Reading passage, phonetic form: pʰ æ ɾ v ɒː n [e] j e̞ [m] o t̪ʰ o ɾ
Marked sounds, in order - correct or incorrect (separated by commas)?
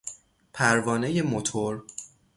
correct, correct